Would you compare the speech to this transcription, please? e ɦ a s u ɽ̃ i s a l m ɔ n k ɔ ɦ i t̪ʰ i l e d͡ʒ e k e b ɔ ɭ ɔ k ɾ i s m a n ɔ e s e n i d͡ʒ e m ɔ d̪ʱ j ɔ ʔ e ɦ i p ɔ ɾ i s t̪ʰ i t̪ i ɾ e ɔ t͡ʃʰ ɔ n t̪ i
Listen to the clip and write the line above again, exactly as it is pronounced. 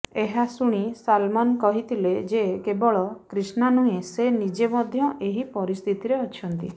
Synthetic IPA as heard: e ɦ a s u ɽ̃ i s a l m ɔ n k ɔ ɦ i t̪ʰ i l e d͡ʒ e k e b ɔ ɭ ɔ k ɾ i s n a n u e s e n i d͡ʒ e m ɔ d̪ʱ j ɔ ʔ e ɦ i p ɔ ɾ i s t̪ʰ i t̪ i ɾ e ɔ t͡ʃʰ ɔ n t̪ i